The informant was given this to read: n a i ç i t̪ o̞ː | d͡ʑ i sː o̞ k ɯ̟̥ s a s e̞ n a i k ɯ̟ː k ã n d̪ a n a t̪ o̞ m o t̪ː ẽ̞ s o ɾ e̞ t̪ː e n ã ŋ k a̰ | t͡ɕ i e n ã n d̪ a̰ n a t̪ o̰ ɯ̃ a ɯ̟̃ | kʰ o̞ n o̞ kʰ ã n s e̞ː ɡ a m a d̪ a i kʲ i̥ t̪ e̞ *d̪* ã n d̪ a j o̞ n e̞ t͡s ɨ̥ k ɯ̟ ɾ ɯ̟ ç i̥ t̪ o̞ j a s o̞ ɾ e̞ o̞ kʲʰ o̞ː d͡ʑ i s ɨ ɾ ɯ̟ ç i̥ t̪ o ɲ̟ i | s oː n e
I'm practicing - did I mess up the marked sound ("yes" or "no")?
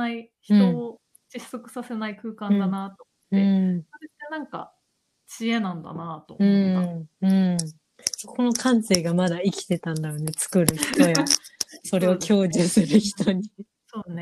yes